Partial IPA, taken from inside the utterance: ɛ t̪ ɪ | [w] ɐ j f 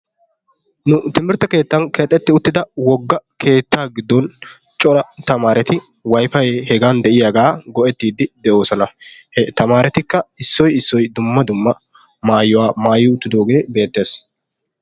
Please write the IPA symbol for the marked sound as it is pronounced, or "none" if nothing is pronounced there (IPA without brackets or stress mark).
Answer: w